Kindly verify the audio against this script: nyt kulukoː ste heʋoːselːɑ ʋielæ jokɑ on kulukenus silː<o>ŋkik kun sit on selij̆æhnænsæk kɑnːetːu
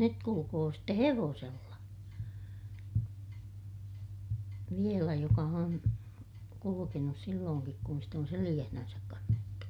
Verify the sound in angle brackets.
incorrect: oː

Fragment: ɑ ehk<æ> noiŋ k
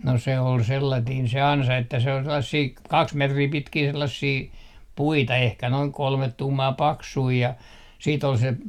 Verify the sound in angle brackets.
correct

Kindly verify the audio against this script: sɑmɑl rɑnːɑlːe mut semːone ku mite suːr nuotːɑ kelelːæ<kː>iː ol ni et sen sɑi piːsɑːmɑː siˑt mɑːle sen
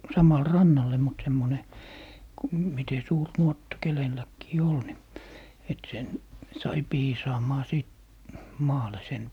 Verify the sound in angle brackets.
correct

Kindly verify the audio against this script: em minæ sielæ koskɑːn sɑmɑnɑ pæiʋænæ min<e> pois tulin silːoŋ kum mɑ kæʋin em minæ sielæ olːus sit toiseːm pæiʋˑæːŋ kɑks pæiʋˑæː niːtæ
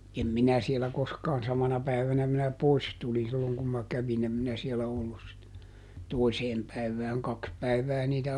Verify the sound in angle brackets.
incorrect: æ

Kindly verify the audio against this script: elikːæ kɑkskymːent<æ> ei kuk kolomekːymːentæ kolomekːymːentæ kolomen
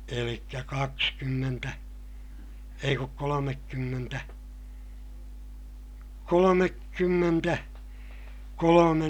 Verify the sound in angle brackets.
correct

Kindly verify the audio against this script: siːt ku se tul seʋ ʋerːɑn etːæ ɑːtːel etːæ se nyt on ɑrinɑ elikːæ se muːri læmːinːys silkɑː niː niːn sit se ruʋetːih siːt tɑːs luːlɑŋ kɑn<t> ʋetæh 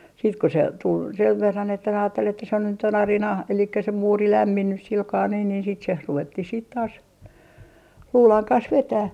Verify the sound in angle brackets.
incorrect: s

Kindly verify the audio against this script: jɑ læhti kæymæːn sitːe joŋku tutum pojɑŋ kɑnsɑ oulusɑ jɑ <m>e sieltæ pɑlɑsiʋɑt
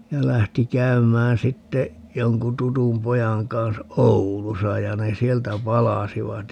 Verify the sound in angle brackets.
incorrect: n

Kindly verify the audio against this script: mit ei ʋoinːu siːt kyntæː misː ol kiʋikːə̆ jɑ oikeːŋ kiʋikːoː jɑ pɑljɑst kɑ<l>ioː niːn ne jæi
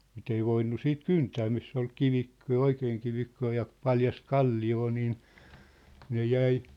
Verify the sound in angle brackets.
incorrect: lː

